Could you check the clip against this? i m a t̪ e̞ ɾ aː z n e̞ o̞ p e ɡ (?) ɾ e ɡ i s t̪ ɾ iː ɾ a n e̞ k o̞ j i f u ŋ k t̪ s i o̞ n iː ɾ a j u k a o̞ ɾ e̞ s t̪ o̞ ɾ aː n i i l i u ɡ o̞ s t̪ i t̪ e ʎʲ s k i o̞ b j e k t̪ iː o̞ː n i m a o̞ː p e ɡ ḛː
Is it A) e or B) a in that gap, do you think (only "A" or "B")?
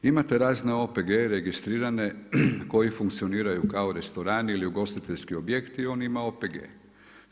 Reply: A